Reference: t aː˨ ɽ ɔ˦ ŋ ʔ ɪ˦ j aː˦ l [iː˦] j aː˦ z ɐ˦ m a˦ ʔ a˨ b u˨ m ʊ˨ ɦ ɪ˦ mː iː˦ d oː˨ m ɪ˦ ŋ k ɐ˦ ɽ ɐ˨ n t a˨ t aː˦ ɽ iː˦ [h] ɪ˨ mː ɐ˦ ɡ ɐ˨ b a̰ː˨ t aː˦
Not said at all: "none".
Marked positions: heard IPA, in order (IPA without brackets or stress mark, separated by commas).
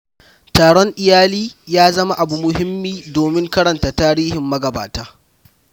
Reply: iː˦, h